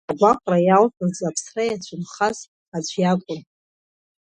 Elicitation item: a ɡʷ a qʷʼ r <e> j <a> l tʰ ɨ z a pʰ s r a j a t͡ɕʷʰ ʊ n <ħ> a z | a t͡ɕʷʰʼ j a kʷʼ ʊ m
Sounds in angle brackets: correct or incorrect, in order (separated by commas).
incorrect, correct, incorrect